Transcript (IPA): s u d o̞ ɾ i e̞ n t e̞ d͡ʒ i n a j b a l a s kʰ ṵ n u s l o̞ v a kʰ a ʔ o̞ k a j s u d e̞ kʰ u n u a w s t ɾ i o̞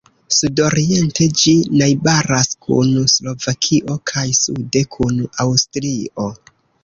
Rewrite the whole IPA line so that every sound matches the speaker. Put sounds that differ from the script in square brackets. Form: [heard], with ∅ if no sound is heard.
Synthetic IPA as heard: s u d o̞ ɾ i e̞ n t e̞ d͡ʒ i n a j b a [ɾ] a s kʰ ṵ n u s l o̞ v a kʰ [i] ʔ o̞ [kʰ] a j s u d e̞ kʰ u n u a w s t ɾ i o̞